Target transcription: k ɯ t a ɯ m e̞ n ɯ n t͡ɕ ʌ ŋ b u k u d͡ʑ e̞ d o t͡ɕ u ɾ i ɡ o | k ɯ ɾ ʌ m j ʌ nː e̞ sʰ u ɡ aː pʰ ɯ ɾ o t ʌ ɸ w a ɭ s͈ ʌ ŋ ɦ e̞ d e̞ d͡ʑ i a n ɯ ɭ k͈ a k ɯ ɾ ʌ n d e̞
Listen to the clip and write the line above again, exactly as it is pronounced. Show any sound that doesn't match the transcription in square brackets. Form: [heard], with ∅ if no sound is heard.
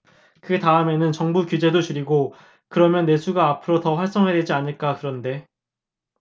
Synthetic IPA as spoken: k ɯ t a ɯ m e̞ n ɯ n t͡ɕ ʌ ŋ b u k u d͡ʑ e̞ d o t͡ɕ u ɾ i ɡ o | k ɯ ɾ ʌ m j ʌ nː e̞ sʰ u ɡ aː pʰ ɯ ɾ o t ʌ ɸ w a ɭ s͈ ʌ ŋ ɦ e̞ d e̞ d͡ʑ i a n ɯ ɭ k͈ a k ɯ ɾ ʌ n d e̞